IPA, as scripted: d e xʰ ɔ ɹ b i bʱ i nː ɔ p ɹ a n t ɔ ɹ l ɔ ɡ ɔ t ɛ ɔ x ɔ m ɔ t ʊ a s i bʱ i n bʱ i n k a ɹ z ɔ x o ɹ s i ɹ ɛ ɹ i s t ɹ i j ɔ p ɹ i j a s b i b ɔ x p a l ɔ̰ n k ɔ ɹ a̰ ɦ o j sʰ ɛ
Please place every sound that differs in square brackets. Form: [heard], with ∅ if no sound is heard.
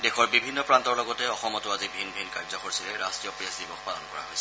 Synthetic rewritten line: d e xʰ ɔ ɹ b i bʱ i nː ɔ p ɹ a n t ɔ ɹ l ɔ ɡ ɔ t ɛ ɔ x ɔ m ɔ t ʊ a [z] i bʱ i n bʱ i n k a ɹ z ɔ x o ɹ s i [l] ɛ ɹ [a] s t ɹ i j ɔ p ɹ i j a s [d] i b ɔ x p a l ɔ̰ n k ɔ ɹ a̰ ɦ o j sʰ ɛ